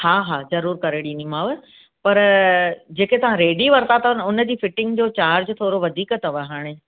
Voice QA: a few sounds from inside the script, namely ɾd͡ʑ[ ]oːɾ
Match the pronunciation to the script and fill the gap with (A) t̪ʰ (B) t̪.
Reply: A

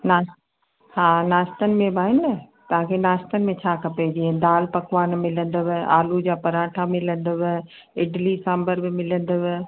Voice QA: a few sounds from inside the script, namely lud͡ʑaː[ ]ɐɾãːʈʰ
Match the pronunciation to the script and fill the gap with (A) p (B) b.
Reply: A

